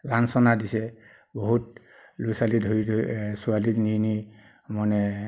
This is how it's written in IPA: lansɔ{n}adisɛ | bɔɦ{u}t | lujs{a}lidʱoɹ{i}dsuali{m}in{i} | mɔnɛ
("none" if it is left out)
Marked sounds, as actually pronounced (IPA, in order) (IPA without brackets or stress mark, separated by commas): n, u, a, i, n, i